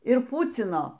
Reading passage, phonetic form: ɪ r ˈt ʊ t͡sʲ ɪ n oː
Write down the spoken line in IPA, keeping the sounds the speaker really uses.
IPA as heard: ɪ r ˈp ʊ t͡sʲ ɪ n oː